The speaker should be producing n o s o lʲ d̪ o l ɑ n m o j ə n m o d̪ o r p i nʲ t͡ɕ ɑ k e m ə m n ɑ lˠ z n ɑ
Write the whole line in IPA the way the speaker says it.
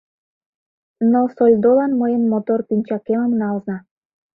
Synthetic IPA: n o s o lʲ d̪ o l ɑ n m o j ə n m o t̪ o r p i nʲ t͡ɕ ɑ k e m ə m n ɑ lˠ z n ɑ